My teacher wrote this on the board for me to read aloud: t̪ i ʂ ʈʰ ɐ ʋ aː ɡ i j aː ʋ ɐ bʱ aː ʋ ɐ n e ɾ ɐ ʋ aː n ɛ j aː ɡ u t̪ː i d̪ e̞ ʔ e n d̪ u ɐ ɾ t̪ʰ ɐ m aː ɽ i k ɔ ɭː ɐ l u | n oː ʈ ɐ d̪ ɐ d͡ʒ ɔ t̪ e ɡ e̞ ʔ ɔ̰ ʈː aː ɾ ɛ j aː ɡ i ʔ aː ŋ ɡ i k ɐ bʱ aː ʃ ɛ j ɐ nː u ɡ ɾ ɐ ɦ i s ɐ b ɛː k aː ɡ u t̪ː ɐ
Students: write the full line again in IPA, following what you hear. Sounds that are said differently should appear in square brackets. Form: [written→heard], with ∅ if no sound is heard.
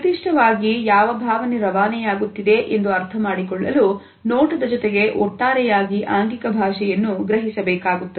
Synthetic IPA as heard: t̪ i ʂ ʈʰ ɐ ʋ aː ɡ i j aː ʋ ɐ bʱ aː ʋ ɐ n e ɾ ɐ ʋ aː n ɛ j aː ɡ u t̪ː i d̪ e̞ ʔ e n d̪ u ɐ ɾ t̪ʰ ɐ m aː ɽ i k ɔ ɭː ɐ l u | n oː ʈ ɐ d̪ ɐ d͡ʒ ɔ t̪ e ɡ e̞ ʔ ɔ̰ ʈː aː ɾ ɛ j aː ɡ i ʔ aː ŋ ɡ i k ɐ bʱ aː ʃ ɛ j ɐ nː u ɡ ɾ ɐ ɦ i s ɐ b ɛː k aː ɡ u t̪ː ɐ

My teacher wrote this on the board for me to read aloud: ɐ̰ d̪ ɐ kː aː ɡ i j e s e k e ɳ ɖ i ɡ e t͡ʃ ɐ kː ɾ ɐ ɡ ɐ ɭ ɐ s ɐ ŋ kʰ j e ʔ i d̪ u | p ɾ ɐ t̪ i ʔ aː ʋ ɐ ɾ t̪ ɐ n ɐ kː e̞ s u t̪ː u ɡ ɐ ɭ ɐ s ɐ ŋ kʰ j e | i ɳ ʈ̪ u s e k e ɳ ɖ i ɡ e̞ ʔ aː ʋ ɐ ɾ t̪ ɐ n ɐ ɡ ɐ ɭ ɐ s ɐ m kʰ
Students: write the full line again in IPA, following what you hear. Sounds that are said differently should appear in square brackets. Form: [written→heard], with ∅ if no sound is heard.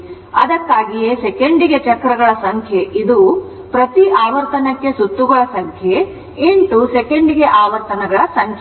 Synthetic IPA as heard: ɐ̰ d̪ ɐ kː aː ɡ i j e s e k e ɳ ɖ i ɡ e t͡ʃ ɐ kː ɾ ɐ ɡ ɐ ɭ ɐ s ɐ ŋ kʰ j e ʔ i d̪ u | p ɾ ɐ t̪ i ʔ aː ʋ ɐ ɾ t̪ ɐ n ɐ kː e̞ s u t̪ː u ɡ ɐ ɭ ɐ s ɐ ŋ kʰ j e | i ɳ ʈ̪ u s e k e ɳ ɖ i ɡ e̞ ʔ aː ʋ ɐ ɾ t̪ ɐ n ɐ ɡ ɐ ɭ ɐ s ɐ [m→ŋ] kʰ

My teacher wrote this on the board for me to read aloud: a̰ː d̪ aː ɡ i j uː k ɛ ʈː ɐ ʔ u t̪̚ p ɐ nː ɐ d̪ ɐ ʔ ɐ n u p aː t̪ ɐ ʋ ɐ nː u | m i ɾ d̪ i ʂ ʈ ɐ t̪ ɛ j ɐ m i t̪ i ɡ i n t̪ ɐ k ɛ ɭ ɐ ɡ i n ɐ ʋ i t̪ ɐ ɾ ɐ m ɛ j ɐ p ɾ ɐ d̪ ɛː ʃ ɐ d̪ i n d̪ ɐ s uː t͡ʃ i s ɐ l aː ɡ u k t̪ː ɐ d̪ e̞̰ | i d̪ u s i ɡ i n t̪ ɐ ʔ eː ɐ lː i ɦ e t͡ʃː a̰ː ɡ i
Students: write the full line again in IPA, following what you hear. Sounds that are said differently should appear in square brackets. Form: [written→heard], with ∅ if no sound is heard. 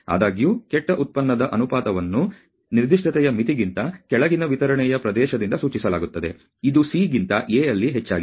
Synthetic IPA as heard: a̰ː d̪ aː ɡ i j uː k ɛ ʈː ɐ ʔ u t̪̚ p ɐ nː ɐ d̪ ɐ ʔ ɐ n u p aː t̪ ɐ ʋ ɐ nː u | [m→n] i ɾ d̪ i ʂ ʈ ɐ t̪ ɛ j ɐ m i t̪ i ɡ i n t̪ ɐ k ɛ ɭ ɐ ɡ i n ɐ ʋ i t̪ ɐ ɾ ɐ [m→ɳ] ɛ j ɐ p ɾ ɐ d̪ ɛː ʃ ɐ d̪ i n d̪ ɐ s uː t͡ʃ i s ɐ l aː ɡ u [k→∅] t̪ː ɐ d̪ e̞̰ | i d̪ u s i ɡ i n t̪ ɐ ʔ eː ɐ lː i ɦ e t͡ʃː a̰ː ɡ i

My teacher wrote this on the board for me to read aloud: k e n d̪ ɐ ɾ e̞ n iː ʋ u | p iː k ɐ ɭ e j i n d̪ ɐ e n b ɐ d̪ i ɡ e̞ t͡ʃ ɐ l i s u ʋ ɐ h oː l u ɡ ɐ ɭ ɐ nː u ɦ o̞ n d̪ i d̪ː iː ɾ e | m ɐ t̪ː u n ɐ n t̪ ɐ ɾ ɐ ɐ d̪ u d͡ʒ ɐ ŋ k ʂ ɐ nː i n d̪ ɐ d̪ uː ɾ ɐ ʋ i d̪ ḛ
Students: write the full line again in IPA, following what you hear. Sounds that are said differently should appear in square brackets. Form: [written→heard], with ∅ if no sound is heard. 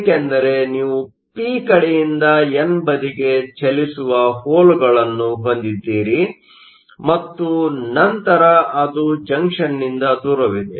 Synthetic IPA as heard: k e n d̪ ɐ ɾ e̞ n iː ʋ u | p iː k ɐ [ɭ→ɽ] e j i n d̪ ɐ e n b ɐ d̪ i ɡ e̞ t͡ʃ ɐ l i s u ʋ ɐ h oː l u ɡ ɐ ɭ ɐ nː u ɦ o̞ n d̪ i d̪ː iː ɾ [e→i] | m ɐ t̪ː u n ɐ n t̪ ɐ ɾ ɐ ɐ d̪ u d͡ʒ ɐ ŋ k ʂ ɐ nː i n d̪ ɐ d̪ uː ɾ ɐ ʋ i d̪ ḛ

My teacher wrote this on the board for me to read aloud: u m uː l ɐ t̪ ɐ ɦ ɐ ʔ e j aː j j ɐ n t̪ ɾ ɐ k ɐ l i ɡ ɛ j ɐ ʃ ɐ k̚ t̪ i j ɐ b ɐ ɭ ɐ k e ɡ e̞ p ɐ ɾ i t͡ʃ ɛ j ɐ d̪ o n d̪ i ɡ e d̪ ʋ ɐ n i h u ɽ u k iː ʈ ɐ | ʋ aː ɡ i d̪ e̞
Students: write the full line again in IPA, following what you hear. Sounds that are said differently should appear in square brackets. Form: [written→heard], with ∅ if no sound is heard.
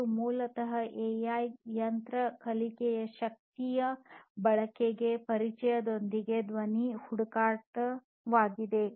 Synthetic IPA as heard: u m uː l ɐ t̪ ɐ ɦ ɐ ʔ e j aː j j ɐ n t̪ ɾ ɐ k ɐ l i [ɡ→k] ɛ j ɐ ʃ ɐ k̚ t̪ i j ɐ b ɐ ɭ ɐ k e ɡ e̞ p ɐ ɾ i t͡ʃ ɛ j ɐ d̪ o n d̪ i ɡ e d̪ ʋ ɐ n i h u ɽ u k [iː→aː] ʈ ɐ | ʋ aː ɡ i d̪ e̞

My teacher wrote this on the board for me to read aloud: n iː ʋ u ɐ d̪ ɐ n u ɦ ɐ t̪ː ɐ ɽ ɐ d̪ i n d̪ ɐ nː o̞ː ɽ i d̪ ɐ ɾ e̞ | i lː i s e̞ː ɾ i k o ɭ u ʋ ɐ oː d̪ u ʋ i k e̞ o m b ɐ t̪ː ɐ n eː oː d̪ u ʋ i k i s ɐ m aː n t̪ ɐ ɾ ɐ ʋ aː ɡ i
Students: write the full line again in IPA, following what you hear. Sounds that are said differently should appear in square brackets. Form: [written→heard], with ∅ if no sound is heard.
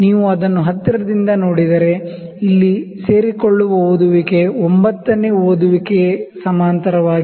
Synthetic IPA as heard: n iː ʋ u ɐ d̪ ɐ [n→nː] u ɦ ɐ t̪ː ɐ [ɽ→ɾ] ɐ d̪ i n d̪ ɐ [nː→n] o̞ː ɽ i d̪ ɐ ɾ e̞ | i lː i s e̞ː ɾ i k o [ɭ→ɭː] u ʋ ɐ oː d̪ u ʋ i k e̞ o m b ɐ t̪ː ɐ n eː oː d̪ u ʋ i k [i→e] s ɐ m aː n t̪ ɐ ɾ ɐ ʋ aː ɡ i

